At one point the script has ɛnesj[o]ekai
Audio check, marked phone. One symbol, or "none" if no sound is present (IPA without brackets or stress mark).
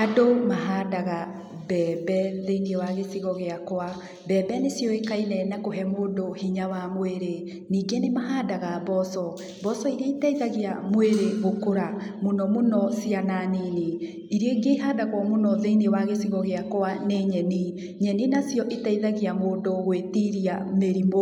ɔ